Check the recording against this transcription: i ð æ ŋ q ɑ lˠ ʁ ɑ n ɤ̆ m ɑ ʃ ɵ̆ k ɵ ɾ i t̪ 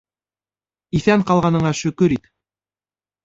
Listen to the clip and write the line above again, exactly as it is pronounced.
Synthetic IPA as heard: i θ æ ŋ q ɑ lˠ ʁ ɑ n ɤ̆ ɴ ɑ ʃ ɵ̆ k ɵ ɾ i t̪